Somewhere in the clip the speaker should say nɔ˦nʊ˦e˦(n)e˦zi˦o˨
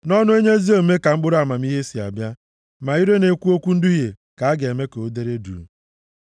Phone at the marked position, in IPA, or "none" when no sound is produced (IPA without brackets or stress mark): ɲ